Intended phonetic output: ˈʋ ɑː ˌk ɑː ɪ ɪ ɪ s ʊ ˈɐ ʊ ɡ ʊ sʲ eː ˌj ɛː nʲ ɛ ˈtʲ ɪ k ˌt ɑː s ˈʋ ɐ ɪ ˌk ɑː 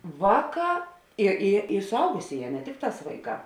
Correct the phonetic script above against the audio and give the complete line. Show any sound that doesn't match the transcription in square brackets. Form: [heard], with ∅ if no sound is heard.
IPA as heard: ˈʋ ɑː ˌk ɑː ɪ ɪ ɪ s ʊ ˈɐ ʊ ɡ ʊ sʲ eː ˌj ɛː nʲ ɛ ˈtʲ ɪ k ˌt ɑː s ˈʋ ɐ ɪ ˌk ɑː

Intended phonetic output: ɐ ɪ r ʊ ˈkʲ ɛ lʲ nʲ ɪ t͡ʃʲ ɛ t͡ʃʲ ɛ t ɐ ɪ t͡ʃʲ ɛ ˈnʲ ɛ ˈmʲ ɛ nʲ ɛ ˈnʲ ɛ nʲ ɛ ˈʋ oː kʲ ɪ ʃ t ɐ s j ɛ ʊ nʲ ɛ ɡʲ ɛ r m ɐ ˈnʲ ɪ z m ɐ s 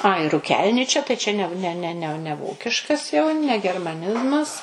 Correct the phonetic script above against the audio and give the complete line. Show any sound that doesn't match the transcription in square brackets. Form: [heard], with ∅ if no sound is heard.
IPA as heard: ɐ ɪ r ʊ ˈkʲ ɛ lʲ nʲ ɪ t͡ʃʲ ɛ t͡ʃʲ ɛ t ɐ ɪ t͡ʃʲ ɛ ˈnʲ ɛ [ˈnʲ] ɛ nʲ ɛ ˈnʲ ɛ nʲ ɛ ˈʋ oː kʲ ɪ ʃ [k] ɐ s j ɛ ʊ nʲ ɛ ɡʲ ɛ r m ɐ ˈnʲ ɪ z m ɐ s

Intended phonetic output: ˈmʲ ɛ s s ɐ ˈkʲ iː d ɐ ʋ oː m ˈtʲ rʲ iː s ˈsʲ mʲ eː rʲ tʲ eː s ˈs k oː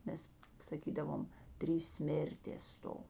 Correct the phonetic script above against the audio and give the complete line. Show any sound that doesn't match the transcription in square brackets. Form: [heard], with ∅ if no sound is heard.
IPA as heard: ˈmʲ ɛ s s ɐ ˈkʲ iː d ɐ ʋ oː m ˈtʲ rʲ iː s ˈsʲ mʲ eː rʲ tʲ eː s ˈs [t] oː

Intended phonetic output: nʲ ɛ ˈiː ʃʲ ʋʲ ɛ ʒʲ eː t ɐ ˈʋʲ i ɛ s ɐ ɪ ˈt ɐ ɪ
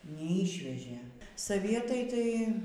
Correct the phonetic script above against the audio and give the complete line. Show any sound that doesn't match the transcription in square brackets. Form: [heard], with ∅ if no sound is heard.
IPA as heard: nʲ ɛ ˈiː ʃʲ ʋʲ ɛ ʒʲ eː [s] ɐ ˈʋʲ i ɛ [t] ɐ ɪ ˈt ɐ ɪ

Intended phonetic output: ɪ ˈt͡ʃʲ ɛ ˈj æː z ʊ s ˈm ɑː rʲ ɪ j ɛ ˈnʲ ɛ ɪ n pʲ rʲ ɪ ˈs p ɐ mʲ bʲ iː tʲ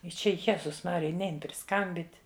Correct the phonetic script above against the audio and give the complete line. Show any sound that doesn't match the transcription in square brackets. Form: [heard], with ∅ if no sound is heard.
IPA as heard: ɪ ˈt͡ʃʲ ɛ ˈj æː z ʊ s ˈm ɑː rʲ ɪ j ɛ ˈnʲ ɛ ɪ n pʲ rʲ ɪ ˈs [k] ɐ mʲ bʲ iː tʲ

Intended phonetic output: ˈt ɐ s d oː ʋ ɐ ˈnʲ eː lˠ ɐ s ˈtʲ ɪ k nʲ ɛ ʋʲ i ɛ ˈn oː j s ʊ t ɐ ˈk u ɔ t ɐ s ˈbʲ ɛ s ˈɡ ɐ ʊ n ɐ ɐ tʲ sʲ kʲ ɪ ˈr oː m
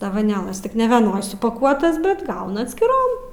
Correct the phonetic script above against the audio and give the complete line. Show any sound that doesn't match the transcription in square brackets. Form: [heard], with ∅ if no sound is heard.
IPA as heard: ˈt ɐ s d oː ʋ ɐ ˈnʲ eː lˠ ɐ s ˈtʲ ɪ k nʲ ɛ ʋʲ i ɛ ˈn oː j s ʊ [p] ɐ ˈk u ɔ t ɐ s ˈbʲ ɛ [t] ˈɡ ɐ ʊ n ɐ ɐ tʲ sʲ kʲ ɪ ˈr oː m

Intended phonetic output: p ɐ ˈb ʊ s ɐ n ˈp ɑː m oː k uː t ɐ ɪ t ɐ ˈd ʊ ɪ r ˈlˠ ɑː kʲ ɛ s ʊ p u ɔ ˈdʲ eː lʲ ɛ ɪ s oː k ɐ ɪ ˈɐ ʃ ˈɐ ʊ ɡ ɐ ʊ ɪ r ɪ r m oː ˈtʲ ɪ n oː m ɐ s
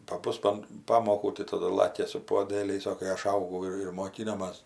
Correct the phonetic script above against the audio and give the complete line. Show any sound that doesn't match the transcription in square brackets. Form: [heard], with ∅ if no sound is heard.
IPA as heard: p ɐ ˈb ʊ s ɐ n ˈp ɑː m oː k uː t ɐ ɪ t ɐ ˈd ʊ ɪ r ˈlˠ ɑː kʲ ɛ s ʊ p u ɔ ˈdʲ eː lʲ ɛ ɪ s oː k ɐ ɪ ˈɐ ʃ ˈɐ ʊ ɡ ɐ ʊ ɪ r ɪ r m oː [ˈkʲ] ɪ n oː m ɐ s

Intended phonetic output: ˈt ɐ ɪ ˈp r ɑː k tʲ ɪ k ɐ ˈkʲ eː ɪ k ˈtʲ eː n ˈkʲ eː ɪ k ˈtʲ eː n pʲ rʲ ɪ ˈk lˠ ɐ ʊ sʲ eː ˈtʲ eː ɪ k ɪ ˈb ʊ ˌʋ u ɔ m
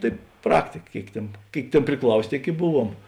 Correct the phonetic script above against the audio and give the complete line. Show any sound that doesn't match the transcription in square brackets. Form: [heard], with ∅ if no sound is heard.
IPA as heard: ˈt ɐ ɪ ˈp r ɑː k tʲ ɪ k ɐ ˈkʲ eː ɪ k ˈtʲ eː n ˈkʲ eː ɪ k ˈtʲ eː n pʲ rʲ ɪ ˈk lˠ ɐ ʊ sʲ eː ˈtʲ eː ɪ k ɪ ˈb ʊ ˌʋ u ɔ m

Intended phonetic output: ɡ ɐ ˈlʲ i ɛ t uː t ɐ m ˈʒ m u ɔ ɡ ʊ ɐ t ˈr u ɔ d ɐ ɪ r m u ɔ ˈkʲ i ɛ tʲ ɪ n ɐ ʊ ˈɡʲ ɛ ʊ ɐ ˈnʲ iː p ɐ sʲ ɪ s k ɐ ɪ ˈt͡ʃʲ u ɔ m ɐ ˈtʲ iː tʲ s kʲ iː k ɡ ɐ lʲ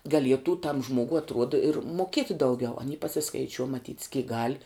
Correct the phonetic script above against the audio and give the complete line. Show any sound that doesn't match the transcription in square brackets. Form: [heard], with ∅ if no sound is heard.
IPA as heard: ɡ ɐ ˈlʲ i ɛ t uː t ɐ m ˈʒ m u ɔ ɡ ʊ ɐ t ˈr u ɔ d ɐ ɪ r m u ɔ ˈkʲ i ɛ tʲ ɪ [d] ɐ ʊ ˈɡʲ ɛ ʊ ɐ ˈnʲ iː p ɐ sʲ ɪ s k ɐ ɪ ˈt͡ʃʲ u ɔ m ɐ ˈtʲ iː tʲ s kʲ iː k ɡ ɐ lʲ

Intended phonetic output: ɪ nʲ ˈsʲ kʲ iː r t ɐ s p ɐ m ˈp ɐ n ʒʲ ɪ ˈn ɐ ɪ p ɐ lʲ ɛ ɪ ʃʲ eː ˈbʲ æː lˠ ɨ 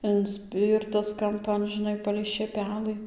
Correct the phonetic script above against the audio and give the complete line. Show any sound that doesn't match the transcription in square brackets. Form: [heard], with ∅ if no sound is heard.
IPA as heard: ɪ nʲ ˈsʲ [pʲ] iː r t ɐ s [k] ɐ m ˈp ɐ n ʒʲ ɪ ˈn ɐ ɪ p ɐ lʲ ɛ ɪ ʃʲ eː [ˈpʲ] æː lˠ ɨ

